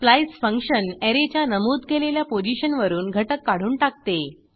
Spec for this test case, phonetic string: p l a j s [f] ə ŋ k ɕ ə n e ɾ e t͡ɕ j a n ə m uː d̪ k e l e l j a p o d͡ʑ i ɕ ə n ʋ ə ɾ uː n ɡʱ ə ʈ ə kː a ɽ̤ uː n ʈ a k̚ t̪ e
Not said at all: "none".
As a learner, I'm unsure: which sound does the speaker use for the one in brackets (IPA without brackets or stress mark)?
f